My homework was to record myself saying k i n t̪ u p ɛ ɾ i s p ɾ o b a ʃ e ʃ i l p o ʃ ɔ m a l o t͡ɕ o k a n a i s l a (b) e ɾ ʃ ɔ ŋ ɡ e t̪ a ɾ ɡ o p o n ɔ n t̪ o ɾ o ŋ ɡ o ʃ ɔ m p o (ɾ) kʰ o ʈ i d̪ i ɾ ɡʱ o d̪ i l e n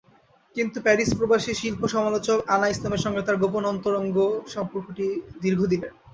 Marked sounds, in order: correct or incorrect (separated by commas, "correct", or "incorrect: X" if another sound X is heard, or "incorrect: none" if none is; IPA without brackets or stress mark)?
incorrect: m, correct